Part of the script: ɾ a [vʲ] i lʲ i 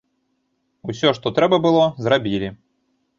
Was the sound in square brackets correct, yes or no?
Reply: no